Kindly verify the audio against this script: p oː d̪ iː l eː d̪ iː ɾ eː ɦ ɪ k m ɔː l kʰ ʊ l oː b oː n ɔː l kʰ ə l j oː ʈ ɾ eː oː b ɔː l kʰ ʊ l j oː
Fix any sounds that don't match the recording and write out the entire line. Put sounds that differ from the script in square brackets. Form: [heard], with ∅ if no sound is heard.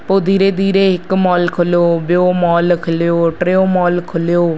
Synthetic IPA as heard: p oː d̪ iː [ɾ] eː d̪ iː ɾ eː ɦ ɪ k m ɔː l kʰ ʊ l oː b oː [m] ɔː l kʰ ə l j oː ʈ ɾ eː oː [m] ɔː l kʰ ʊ l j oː